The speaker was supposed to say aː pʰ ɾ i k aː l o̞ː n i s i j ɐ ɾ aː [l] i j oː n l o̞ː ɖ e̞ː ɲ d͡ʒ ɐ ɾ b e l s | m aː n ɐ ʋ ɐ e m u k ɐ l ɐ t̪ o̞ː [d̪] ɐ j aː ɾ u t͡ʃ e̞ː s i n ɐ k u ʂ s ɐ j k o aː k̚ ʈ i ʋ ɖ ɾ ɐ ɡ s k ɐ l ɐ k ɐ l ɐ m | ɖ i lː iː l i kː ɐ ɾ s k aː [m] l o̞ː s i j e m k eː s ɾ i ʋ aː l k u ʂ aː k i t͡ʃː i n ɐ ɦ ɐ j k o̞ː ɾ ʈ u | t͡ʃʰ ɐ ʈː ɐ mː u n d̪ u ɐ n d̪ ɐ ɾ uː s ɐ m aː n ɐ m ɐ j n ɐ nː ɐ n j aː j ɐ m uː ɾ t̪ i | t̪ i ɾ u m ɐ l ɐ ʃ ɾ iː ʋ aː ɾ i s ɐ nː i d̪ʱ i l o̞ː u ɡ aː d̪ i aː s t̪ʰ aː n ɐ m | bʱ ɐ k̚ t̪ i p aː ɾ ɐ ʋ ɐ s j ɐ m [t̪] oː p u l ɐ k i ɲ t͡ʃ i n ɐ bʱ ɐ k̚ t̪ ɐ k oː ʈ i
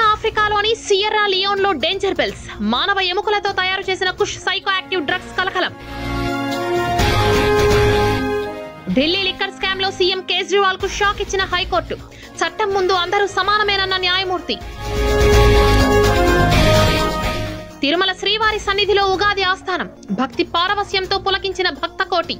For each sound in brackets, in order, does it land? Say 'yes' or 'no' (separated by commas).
yes, no, yes, yes